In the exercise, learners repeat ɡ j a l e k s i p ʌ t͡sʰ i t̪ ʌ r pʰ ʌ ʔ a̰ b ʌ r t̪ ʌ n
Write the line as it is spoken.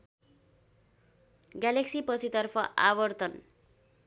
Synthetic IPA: ɡ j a l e k s i p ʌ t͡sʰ i t̪ ʌ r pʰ ʌ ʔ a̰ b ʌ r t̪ ʌ n